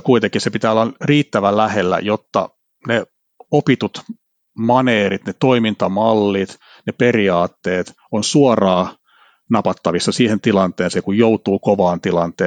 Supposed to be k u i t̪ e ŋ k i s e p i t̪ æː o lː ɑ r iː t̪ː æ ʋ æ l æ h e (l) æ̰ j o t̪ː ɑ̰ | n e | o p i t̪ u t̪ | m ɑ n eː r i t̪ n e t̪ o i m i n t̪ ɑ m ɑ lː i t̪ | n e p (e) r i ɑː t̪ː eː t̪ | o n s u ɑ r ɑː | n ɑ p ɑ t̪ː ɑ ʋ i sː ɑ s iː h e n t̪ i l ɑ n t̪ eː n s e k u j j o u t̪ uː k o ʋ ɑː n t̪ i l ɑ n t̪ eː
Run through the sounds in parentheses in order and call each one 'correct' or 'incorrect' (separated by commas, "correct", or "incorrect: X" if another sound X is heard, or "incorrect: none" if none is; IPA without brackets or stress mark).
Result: incorrect: lː, correct